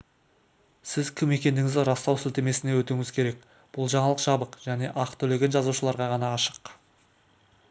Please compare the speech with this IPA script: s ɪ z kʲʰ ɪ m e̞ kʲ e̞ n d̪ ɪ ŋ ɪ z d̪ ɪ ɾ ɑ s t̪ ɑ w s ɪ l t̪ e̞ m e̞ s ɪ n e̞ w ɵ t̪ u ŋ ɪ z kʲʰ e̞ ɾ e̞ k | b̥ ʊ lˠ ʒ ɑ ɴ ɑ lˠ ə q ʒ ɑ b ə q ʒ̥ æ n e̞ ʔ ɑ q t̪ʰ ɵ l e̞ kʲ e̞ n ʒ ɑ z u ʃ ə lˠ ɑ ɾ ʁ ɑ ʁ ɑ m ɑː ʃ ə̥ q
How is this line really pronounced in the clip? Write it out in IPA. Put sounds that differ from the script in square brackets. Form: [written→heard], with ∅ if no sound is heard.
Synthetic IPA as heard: s ɪ z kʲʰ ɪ m e̞ kʲ e̞ n d̪ ɪ ŋ ɪ z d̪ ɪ ɾ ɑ s t̪ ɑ w s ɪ l t̪ e̞ m e̞ s ɪ n e̞ w ɵ t̪ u ŋ ɪ z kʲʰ e̞ ɾ e̞ k | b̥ ʊ lˠ ʒ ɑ ɴ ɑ lˠ ə q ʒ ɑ b ə q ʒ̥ æ n e̞ ʔ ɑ q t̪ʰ ɵ l e̞ [kʲ→ɡʲ] e̞ n ʒ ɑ z u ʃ ə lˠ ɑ ɾ ʁ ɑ ʁ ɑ [m→n] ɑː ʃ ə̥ q